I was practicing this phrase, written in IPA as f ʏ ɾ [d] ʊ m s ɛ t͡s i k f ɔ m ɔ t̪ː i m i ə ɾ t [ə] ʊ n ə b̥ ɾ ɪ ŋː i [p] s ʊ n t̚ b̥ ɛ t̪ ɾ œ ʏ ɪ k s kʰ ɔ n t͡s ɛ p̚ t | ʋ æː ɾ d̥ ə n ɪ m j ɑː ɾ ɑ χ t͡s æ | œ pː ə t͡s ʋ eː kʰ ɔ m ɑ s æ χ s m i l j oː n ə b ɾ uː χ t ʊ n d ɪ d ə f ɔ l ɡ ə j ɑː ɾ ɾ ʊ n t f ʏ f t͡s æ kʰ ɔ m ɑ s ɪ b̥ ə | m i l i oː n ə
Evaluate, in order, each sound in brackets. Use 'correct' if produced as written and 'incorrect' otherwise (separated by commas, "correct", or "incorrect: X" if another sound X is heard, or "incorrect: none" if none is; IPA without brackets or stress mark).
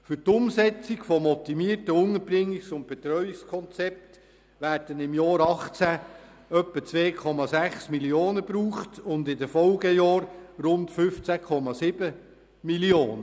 incorrect: t, correct, incorrect: k